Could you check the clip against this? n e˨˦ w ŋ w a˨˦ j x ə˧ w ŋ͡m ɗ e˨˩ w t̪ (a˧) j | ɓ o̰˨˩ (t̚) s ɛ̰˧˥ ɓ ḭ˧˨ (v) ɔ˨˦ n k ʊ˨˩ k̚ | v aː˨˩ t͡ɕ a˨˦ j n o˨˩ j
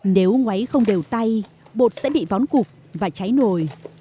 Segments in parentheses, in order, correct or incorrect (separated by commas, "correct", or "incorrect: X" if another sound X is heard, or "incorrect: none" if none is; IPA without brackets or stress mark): correct, correct, correct